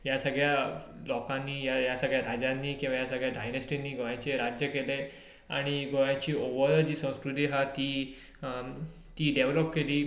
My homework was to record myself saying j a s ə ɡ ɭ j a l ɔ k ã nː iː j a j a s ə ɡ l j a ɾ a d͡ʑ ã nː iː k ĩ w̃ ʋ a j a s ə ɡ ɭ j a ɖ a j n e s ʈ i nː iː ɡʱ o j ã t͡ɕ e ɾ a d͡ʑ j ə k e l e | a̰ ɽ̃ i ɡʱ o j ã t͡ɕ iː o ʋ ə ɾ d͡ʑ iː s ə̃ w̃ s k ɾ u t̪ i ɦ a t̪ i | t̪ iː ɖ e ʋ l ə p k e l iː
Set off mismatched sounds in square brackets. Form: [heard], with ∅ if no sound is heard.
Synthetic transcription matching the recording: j a s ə ɡ ɭ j a l ɔ k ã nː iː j a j a s ə ɡ [ɭ] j a ɾ a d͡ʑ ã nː iː k ĩ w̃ ʋ a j a s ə ɡ ɭ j a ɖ a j n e s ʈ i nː iː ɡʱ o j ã t͡ɕ e ɾ a d͡ʑ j ə k e l e | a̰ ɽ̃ i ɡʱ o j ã t͡ɕ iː o ʋ ə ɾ d͡ʑ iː s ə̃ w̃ s k ɾ u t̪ i ɦ a t̪ i | t̪ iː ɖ e ʋ l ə p k e l iː